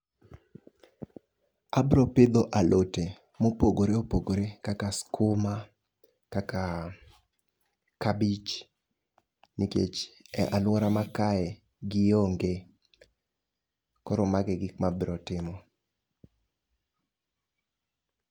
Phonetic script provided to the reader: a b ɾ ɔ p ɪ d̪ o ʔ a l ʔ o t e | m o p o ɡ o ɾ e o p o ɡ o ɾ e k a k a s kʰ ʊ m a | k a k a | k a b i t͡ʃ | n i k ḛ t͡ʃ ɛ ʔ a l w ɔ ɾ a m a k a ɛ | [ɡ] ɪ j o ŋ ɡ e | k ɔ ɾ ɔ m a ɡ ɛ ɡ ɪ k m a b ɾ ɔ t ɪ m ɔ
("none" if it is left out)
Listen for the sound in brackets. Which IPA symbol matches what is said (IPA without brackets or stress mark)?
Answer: ɡ